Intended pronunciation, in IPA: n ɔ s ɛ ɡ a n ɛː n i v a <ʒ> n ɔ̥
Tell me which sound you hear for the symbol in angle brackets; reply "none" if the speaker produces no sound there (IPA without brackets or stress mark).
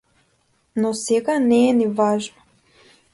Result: ʒ